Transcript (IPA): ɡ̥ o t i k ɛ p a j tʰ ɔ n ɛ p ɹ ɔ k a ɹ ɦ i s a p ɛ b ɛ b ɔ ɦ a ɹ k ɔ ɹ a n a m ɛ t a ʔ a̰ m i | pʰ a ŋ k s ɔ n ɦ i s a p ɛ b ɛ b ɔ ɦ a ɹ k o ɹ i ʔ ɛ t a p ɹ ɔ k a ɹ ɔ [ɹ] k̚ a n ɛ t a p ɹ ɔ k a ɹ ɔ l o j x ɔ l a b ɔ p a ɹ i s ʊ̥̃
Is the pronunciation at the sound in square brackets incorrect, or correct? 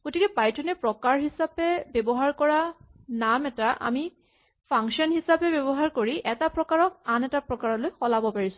incorrect